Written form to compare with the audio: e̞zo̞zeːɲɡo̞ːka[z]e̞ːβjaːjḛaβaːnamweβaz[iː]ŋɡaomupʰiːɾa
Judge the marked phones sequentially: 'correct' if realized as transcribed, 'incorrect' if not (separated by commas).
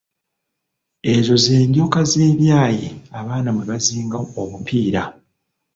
correct, correct